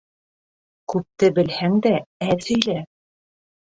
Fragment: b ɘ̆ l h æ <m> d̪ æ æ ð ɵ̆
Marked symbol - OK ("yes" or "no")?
no